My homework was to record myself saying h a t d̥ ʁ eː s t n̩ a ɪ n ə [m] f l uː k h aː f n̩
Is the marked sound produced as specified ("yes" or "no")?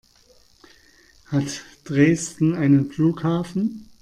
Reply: no